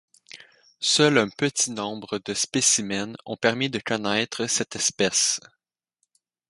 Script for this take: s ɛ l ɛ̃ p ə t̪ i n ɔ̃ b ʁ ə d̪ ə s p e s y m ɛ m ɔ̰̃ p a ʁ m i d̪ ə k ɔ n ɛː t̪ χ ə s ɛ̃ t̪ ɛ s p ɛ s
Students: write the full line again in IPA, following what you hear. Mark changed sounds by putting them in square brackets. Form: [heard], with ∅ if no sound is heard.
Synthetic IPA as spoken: s [œ] l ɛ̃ p ə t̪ i n ɔ̃ b ʁ ə d̪ ə s p e s [i] m ɛ [n] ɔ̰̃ p [ɛ] ʁ m i d̪ ə k ɔ n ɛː t̪ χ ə s [ɛ] t̪ ɛ s p ɛ s